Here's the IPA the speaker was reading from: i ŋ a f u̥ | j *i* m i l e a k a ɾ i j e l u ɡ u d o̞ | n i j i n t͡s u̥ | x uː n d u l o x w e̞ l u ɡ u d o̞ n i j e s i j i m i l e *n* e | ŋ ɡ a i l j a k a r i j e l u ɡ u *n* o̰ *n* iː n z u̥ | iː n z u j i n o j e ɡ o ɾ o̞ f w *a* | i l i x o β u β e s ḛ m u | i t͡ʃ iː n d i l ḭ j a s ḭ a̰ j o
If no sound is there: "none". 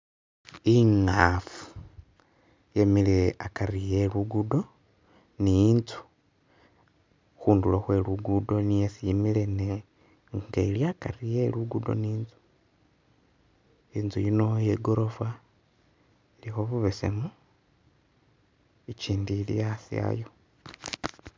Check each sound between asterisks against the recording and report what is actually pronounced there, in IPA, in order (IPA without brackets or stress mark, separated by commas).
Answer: e, n, d, n, a